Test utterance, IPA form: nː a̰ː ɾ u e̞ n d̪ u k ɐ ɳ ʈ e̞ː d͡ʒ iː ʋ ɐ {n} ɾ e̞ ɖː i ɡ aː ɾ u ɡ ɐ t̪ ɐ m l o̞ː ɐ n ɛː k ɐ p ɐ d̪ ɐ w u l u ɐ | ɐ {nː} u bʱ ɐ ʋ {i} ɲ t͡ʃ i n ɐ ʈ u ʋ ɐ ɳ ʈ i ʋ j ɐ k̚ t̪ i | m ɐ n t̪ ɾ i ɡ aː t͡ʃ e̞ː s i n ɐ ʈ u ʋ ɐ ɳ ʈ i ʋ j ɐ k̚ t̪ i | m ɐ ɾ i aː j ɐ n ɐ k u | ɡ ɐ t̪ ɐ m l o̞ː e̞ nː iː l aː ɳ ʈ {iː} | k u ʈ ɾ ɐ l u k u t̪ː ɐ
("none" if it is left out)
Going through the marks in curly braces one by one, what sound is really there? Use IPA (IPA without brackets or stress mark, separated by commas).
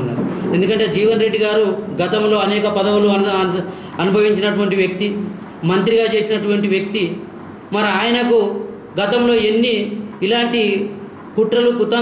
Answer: n, n, i, i